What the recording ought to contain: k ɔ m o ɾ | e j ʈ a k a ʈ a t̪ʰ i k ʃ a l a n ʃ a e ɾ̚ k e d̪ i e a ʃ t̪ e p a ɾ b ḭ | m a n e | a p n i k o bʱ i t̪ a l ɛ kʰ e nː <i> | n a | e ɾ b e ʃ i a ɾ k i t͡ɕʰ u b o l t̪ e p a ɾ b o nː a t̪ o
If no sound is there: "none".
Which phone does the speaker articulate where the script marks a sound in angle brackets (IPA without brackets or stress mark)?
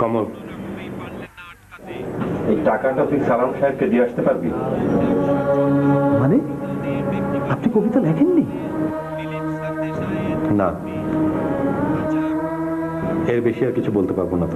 i